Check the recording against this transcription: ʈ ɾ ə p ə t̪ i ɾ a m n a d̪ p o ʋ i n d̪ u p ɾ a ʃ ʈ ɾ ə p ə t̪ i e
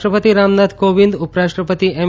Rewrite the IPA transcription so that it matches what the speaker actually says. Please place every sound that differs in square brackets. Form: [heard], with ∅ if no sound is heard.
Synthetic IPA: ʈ ɾ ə p ə t̪ i ɾ a m n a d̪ [k] o ʋ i n d̪ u p ɾ a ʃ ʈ ɾ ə p ə t̪ i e